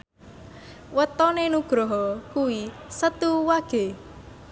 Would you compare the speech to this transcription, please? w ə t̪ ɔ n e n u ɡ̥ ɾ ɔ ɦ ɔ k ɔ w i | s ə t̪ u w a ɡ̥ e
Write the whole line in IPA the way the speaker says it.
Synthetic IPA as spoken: w ə t̪ ɔ n e n u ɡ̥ ɾ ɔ ɦ ɔ k u w i | s ə t̪ u w a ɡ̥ e